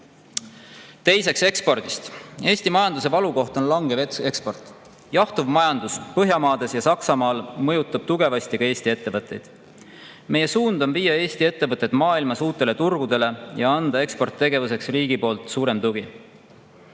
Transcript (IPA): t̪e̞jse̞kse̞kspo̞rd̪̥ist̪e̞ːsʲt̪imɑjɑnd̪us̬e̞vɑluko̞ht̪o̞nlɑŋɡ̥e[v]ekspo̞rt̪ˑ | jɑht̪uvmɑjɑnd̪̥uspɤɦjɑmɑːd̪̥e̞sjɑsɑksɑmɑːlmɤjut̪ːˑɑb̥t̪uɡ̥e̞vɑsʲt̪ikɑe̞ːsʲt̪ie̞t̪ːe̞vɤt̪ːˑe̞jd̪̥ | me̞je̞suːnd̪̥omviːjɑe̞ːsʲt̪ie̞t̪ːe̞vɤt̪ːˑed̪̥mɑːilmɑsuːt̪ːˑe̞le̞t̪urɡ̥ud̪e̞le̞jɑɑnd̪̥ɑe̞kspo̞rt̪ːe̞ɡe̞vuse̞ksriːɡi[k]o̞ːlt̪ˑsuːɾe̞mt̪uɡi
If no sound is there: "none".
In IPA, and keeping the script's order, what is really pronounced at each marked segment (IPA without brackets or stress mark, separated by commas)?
v, p